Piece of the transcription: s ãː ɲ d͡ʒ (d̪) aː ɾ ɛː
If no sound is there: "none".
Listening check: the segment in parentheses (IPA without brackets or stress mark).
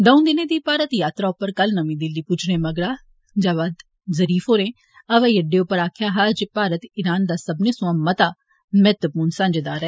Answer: d̪